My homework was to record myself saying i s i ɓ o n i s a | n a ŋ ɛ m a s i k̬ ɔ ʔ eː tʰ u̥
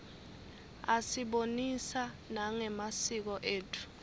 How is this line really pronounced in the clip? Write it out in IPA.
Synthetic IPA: a s i ɓ o n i s a | n a ŋ ɛ m a s i k̬ ɔ ʔ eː tʰ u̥